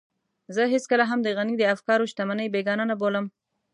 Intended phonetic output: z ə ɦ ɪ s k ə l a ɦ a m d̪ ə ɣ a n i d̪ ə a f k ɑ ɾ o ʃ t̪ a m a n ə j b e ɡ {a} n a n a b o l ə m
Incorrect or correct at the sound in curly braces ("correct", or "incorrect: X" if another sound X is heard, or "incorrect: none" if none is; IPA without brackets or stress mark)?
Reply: incorrect: ɑ